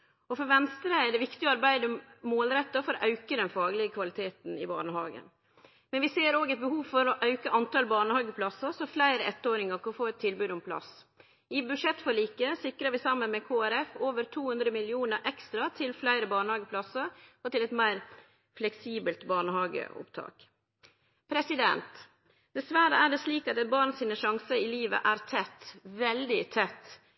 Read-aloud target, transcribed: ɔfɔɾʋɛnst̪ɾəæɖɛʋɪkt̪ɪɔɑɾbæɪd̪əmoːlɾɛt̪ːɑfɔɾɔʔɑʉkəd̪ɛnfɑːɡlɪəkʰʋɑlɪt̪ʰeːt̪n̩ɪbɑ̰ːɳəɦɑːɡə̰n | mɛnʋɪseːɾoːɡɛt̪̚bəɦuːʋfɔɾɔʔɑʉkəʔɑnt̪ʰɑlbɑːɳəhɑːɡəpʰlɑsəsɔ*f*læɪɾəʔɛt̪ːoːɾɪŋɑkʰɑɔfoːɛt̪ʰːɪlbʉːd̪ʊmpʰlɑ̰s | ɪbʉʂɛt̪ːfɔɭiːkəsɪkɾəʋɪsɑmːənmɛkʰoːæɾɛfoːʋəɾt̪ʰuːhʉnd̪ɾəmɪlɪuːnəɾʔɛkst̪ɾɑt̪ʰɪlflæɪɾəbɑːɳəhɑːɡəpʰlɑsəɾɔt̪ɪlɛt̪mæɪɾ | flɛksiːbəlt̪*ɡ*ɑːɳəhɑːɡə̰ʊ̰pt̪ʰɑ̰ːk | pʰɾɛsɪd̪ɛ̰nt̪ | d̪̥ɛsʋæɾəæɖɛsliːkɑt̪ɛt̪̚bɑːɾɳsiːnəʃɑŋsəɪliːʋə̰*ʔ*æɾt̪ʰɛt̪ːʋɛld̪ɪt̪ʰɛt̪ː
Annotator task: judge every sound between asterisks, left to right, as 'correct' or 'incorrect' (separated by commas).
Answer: correct, incorrect, correct